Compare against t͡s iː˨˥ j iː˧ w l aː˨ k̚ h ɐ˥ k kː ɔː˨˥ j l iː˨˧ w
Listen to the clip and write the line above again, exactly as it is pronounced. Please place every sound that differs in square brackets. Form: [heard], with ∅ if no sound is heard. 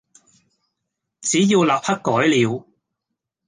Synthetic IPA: t͡s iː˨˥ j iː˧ w l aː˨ [p̚] h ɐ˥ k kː ɔː˨˥ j l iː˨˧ w